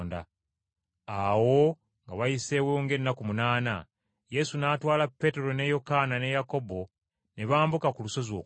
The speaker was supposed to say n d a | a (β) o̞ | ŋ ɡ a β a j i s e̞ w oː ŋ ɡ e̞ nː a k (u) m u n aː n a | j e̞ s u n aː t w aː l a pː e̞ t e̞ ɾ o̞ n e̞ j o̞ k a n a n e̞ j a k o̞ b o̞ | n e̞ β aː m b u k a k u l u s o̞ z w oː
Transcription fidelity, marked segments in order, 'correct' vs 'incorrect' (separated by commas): incorrect, correct